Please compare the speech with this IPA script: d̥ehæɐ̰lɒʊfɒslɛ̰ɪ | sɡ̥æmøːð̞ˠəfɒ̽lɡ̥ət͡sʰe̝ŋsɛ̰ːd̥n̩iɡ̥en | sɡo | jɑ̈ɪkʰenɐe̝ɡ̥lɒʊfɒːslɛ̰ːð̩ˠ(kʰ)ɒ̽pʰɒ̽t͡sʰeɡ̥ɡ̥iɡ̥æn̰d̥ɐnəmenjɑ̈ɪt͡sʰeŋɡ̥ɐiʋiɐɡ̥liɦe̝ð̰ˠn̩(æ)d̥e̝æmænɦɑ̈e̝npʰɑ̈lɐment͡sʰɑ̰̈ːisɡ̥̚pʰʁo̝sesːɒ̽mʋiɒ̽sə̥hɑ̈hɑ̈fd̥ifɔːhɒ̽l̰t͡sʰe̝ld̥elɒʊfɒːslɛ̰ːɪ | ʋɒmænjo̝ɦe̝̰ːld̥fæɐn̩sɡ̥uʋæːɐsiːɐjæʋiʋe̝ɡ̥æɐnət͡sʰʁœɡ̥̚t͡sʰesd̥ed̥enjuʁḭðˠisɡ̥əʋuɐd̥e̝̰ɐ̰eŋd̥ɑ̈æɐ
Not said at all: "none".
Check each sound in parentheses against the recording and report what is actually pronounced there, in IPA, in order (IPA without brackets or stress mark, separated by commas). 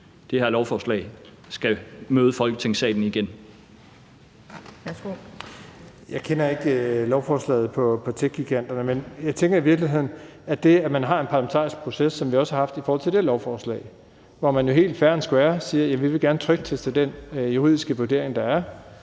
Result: pʰ, æ